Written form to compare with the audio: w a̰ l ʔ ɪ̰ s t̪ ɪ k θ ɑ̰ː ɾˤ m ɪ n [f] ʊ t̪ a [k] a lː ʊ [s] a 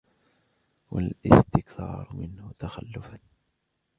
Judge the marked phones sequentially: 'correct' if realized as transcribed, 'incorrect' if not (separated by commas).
incorrect, incorrect, incorrect